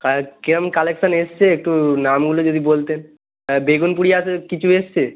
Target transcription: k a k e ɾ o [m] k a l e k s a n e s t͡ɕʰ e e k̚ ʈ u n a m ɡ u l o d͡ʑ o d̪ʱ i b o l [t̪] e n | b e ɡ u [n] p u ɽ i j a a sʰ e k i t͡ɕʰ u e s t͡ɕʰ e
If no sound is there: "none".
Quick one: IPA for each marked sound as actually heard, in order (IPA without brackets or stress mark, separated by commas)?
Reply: m, t̪, n